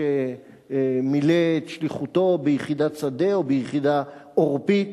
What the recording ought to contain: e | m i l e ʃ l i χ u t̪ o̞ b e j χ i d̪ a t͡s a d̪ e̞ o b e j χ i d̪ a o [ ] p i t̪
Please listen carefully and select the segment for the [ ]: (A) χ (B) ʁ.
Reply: B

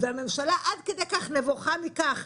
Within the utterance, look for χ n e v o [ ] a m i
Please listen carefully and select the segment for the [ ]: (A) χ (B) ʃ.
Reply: A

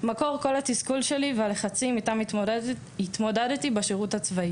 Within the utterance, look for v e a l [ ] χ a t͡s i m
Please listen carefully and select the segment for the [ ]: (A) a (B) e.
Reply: B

